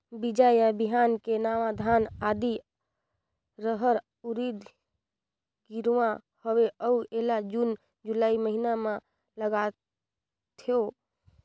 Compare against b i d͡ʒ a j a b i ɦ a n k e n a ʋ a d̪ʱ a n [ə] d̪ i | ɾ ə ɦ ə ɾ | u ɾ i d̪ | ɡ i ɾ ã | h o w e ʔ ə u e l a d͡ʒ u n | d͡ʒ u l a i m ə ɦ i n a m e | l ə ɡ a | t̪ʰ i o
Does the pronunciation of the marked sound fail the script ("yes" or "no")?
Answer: yes